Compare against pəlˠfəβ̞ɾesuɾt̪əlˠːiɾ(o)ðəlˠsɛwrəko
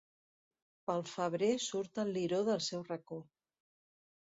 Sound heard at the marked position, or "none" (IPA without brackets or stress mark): o